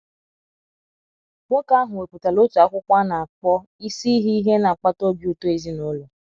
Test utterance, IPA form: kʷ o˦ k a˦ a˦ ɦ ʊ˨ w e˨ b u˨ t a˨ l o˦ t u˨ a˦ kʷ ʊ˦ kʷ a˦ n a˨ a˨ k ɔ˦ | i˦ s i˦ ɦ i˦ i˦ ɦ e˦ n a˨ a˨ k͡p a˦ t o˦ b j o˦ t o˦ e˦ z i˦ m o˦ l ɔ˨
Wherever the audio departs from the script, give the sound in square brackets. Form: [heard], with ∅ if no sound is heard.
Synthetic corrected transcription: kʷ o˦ k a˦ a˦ ɦ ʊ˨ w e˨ [p] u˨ t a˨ l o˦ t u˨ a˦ kʷ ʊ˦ kʷ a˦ n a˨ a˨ [k͡p] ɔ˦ | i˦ s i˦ ɦ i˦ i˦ ɦ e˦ n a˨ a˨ k͡p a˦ t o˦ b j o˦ t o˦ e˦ z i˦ [n] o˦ l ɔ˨